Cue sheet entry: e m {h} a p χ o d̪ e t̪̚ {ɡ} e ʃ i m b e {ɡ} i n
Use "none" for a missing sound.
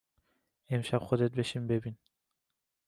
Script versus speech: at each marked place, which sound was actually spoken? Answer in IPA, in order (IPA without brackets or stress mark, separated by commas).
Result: ʃ, b, b